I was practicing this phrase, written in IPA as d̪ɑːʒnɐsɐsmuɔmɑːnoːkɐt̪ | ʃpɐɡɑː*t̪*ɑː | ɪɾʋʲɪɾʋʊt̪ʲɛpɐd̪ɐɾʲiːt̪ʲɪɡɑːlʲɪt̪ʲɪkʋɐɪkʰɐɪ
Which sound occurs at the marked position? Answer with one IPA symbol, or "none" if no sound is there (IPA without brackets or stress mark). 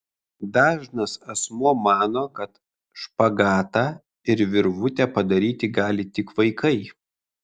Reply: t̪